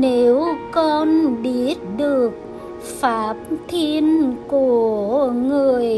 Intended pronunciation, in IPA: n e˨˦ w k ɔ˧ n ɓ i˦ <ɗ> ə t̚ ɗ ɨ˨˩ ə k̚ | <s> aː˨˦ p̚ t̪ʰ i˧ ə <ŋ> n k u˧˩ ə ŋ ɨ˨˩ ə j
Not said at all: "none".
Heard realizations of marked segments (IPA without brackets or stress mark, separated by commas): none, f, none